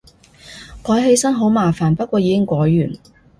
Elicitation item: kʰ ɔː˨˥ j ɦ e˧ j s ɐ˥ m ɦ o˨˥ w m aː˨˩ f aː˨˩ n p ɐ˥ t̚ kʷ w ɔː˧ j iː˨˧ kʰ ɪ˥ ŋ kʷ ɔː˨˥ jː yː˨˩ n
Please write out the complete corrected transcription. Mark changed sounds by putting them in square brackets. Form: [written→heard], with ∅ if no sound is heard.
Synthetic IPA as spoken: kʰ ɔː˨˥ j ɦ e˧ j s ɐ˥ [m→n] ɦ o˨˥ w m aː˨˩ f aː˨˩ n p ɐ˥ t̚ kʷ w ɔː˧ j iː˨˧ [kʰ→k] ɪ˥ ŋ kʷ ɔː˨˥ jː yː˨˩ n